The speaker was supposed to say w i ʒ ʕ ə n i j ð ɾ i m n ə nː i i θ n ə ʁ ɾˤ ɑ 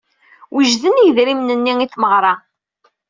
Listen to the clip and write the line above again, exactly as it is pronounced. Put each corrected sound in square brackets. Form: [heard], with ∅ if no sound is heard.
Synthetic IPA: w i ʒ [ð] ə n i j ð ɾ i m n ə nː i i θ [m] ə ʁ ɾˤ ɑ